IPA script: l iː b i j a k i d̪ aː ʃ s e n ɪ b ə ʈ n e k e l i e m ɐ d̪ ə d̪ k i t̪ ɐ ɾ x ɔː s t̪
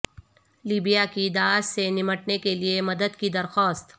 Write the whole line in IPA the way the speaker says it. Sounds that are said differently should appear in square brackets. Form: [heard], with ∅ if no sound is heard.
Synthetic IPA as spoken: l iː b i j a k i d̪ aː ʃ s e n ɪ [m] ə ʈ n e k e l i e m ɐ d̪ ə d̪ k i [d̪] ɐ ɾ x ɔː s t̪